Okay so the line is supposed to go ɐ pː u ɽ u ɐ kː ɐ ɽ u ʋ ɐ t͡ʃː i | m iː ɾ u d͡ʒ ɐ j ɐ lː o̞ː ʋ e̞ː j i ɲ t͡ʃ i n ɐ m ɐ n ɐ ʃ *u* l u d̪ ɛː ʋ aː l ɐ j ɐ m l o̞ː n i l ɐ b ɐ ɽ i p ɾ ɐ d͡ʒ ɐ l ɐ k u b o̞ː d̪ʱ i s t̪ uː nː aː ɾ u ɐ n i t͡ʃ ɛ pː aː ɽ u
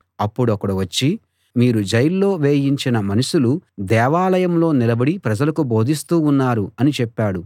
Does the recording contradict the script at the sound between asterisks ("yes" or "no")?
no